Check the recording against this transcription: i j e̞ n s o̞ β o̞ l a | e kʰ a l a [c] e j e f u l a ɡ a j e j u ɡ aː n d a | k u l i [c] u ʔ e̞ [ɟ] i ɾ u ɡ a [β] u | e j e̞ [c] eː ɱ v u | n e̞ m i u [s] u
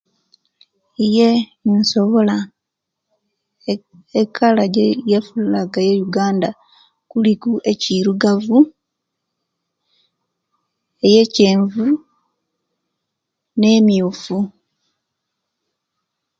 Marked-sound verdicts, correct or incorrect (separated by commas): incorrect, incorrect, incorrect, incorrect, correct, incorrect